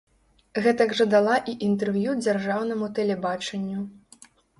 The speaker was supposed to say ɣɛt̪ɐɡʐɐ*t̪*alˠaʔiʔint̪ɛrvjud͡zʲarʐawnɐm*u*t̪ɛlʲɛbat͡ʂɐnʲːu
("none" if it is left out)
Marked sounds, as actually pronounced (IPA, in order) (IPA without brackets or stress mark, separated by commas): d̪, u